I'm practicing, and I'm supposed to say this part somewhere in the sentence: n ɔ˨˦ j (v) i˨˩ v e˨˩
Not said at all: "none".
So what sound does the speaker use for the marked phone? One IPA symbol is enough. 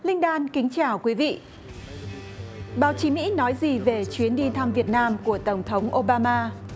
z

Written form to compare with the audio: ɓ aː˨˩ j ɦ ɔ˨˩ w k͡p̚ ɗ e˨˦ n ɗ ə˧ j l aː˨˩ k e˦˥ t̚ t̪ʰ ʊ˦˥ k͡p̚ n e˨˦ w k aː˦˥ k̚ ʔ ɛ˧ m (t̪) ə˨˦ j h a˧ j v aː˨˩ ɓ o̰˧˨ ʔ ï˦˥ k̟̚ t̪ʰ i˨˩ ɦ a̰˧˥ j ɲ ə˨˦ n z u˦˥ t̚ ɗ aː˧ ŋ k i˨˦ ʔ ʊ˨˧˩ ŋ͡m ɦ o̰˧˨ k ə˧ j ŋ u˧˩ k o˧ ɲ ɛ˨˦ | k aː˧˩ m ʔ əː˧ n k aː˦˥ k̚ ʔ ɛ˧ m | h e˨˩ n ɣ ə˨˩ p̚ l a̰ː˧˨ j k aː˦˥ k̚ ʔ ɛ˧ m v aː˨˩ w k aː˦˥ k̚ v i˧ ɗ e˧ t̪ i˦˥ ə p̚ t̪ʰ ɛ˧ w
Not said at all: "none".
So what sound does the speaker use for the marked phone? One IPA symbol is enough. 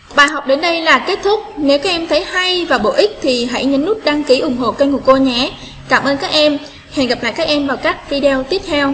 t̪ʰ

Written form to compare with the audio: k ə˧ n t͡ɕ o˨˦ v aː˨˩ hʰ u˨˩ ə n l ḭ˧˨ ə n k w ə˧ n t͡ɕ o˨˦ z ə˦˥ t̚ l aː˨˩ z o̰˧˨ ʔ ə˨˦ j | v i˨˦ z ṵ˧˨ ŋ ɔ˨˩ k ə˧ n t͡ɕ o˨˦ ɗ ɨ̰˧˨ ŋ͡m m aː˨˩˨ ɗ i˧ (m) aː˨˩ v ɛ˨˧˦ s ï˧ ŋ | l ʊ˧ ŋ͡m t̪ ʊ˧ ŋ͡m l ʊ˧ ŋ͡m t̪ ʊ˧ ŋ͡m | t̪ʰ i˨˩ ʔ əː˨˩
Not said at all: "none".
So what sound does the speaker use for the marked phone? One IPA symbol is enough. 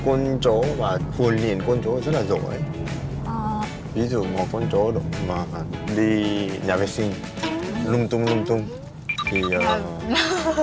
ɲ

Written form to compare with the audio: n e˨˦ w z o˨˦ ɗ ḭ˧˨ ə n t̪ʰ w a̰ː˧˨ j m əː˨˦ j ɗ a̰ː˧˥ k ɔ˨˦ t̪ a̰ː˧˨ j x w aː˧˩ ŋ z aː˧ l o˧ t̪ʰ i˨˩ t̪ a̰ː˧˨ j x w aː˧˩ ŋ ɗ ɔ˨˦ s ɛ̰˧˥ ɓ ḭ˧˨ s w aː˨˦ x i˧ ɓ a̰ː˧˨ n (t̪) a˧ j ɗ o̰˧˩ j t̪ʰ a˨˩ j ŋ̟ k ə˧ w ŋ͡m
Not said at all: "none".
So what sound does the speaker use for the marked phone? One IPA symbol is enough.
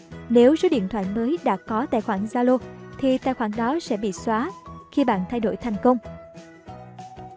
t̪ʰ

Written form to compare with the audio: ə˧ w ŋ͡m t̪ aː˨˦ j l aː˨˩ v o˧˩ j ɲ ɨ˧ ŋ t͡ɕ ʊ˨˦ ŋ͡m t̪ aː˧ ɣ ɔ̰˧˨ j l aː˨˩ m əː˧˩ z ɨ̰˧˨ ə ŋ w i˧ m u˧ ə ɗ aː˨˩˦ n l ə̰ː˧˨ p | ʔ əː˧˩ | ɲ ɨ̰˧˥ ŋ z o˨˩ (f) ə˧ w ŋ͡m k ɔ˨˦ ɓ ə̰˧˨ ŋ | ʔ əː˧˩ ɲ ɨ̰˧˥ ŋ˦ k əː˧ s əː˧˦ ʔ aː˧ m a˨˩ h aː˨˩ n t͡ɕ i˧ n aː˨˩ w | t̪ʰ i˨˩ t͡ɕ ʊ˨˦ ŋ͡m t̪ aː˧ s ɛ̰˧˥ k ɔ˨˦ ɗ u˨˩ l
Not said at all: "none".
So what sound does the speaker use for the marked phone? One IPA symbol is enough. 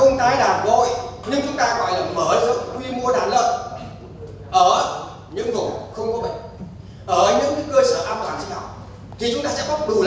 x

